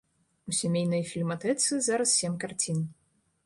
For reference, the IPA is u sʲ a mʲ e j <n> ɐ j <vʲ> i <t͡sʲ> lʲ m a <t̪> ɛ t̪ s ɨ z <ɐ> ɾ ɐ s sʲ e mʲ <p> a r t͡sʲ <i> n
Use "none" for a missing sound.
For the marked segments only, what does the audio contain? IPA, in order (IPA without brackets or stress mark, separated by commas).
n, fʲ, none, t̪, a, k, i